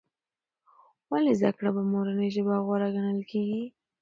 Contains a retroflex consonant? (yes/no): yes